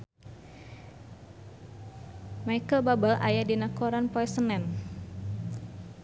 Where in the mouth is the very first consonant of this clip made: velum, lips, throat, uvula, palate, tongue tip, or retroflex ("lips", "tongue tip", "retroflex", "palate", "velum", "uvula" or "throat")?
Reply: lips